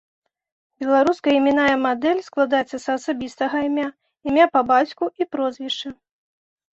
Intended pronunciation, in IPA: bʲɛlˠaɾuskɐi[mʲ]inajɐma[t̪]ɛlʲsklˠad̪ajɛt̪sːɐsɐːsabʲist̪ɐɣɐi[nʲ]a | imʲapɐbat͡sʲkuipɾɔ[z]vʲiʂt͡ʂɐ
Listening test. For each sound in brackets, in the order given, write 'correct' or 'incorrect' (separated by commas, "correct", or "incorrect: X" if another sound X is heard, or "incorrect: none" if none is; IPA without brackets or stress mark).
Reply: correct, incorrect: d̪, incorrect: mʲ, correct